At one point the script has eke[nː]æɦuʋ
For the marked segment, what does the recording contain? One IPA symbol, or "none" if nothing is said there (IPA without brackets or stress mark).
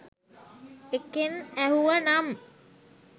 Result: n